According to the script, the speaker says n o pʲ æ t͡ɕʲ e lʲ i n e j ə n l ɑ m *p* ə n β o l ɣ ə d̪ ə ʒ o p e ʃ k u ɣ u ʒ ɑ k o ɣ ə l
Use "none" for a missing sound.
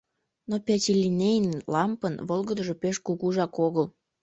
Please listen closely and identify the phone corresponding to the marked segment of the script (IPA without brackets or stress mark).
p